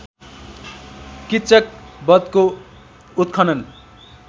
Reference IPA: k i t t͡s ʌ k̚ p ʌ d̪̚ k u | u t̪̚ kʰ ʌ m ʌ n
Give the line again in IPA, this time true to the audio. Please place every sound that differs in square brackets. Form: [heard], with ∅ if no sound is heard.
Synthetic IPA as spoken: k i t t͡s ʌ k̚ [b] ʌ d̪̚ k [o] | u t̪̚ kʰ ʌ [n] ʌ n